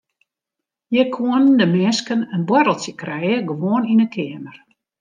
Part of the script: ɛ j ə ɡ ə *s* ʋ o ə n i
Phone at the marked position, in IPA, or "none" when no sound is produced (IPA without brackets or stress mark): none